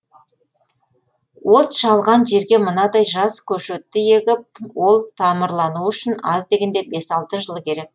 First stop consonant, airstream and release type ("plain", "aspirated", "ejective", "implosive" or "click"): plain